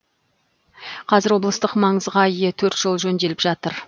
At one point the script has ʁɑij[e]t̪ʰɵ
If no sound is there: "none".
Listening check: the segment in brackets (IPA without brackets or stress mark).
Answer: e